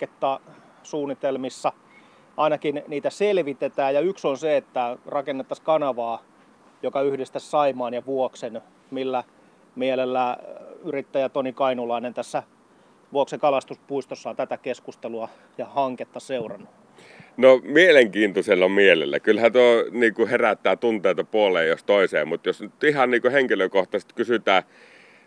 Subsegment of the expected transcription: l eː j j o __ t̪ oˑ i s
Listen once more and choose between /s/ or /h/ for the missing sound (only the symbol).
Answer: s